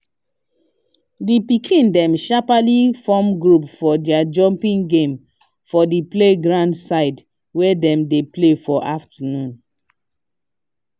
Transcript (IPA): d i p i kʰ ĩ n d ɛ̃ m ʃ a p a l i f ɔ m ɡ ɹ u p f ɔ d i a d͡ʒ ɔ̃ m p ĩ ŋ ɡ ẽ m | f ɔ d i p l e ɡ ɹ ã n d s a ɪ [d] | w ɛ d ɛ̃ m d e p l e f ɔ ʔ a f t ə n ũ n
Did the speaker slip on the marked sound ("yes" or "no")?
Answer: no